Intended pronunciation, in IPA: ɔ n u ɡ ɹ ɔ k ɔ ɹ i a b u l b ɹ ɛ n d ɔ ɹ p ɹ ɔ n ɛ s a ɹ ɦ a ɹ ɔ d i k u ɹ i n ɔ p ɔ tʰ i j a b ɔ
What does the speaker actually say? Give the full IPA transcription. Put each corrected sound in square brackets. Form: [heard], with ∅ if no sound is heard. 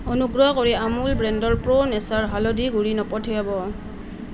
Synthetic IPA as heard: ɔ n u ɡ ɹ ɔ k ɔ ɹ i a [m] u l b ɹ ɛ n d ɔ ɹ p ɹ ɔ n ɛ s a ɹ ɦ a [l] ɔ d i [ɡ] u ɹ i n ɔ p ɔ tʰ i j a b ɔ